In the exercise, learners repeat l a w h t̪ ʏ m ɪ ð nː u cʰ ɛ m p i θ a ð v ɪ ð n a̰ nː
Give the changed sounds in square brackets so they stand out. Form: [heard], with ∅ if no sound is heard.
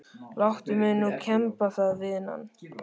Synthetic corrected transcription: l a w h t̪ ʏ m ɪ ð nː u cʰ ɛ m p [a] θ a ð v ɪ ð n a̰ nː